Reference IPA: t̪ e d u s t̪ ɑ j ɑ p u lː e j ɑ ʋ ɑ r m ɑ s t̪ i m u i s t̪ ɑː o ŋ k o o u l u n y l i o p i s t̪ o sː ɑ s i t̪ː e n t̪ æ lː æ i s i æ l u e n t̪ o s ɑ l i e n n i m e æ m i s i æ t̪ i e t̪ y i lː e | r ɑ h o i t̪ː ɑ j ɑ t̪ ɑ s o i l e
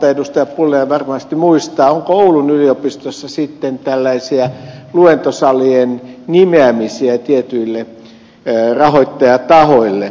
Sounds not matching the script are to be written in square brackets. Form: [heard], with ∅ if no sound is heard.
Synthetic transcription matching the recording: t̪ e d u s t̪ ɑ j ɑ p u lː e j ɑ ʋ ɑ r m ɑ s t̪ i m u i s t̪ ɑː o ŋ k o o u l u n y l i o p i s t̪ o sː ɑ s i t̪ː e n t̪ æ lː æ i s i æ l u e n t̪ o s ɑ l i e n n i m e æ m i s i æ t̪ i e t̪ y i lː e | r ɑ h o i t̪ː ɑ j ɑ t̪ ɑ [h] o i [lː] e